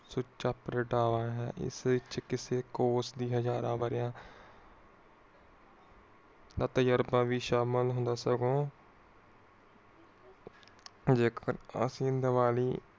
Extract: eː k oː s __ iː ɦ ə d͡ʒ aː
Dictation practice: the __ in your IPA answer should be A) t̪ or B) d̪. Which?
B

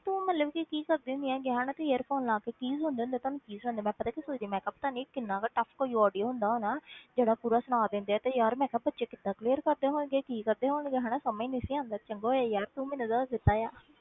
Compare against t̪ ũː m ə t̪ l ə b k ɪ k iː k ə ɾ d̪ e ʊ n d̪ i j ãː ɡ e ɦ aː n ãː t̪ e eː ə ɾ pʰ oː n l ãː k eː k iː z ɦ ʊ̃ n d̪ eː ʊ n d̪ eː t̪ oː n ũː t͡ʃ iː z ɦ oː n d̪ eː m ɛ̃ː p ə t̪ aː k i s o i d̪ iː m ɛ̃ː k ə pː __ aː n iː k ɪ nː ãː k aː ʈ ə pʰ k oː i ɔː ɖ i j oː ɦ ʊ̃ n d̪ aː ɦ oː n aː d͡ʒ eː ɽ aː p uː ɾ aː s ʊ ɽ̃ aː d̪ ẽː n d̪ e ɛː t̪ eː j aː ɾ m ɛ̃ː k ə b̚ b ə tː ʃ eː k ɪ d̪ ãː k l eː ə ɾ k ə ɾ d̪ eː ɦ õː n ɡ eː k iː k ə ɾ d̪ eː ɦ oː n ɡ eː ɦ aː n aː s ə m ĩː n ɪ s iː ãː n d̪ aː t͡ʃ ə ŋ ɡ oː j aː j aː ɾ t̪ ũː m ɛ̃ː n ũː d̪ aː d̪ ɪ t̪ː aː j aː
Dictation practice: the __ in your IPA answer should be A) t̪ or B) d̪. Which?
A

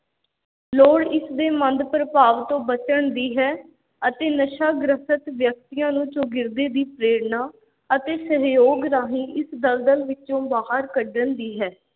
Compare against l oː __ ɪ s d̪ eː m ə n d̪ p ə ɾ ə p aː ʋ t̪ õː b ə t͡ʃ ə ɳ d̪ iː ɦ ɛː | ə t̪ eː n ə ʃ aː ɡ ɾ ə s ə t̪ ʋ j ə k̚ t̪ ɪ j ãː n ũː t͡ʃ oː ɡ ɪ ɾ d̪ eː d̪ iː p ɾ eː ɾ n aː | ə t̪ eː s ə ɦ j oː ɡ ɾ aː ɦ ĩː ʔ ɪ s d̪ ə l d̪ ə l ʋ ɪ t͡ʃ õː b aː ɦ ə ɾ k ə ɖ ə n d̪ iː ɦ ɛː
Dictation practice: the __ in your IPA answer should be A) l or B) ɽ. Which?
B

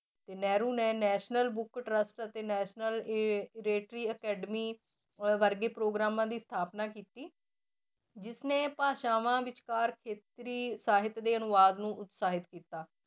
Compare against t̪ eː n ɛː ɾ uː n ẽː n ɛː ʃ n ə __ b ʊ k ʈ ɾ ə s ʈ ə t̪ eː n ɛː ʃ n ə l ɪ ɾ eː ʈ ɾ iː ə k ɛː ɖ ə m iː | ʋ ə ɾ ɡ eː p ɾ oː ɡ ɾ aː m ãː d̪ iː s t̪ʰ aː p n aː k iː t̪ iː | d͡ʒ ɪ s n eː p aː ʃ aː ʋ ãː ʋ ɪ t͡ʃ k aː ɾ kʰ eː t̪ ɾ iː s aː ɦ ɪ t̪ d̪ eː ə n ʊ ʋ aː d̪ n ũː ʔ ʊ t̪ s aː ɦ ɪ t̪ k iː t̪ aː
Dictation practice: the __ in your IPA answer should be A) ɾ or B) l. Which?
B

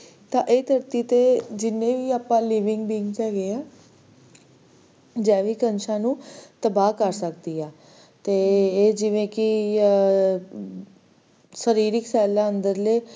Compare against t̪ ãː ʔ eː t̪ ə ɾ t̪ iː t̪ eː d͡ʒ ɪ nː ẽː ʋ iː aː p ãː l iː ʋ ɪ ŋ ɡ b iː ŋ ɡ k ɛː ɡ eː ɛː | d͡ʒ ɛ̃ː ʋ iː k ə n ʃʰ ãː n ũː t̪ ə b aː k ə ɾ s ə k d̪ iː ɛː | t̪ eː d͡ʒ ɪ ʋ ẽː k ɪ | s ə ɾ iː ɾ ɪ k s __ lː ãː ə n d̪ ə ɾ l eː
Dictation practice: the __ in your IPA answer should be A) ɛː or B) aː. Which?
A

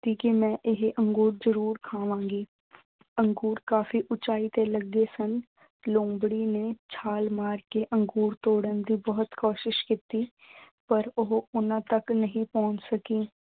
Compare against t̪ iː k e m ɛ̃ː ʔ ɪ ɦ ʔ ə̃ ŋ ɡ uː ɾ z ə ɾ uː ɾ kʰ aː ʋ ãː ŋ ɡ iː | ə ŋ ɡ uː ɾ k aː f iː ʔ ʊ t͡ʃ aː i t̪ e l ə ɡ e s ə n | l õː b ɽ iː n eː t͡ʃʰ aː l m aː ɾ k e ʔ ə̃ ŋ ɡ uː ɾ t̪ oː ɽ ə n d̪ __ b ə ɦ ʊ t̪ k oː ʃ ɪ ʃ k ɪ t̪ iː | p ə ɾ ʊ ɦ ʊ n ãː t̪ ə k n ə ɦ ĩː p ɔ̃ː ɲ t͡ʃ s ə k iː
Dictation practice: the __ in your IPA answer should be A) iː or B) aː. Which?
A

